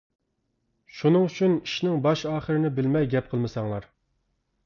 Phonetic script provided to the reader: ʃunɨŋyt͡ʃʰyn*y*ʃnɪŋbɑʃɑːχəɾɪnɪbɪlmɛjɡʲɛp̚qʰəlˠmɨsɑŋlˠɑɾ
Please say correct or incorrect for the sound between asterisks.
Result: incorrect